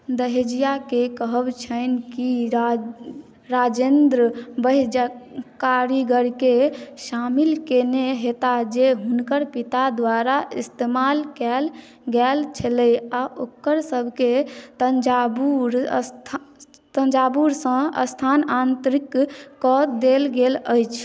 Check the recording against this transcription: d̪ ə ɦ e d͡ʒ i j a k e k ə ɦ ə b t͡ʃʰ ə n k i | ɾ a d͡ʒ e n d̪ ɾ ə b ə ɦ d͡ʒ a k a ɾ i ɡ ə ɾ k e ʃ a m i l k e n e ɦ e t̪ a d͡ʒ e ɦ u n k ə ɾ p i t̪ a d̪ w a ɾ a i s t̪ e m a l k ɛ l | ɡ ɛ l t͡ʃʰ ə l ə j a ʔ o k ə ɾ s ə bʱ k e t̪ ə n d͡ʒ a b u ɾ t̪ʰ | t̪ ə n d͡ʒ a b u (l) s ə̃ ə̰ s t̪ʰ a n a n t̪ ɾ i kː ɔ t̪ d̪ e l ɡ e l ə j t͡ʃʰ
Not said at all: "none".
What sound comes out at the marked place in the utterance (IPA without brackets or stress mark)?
ɾ